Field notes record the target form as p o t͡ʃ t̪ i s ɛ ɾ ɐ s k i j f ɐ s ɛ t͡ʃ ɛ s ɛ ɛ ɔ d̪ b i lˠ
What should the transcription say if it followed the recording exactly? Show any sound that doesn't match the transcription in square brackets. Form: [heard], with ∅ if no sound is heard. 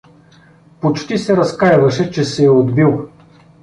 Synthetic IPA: p o t͡ʃ t̪ i s ɛ ɾ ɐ s k [a] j [v] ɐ [ʃ] ɛ t͡ʃ ɛ s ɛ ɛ [o] d̪ b i lˠ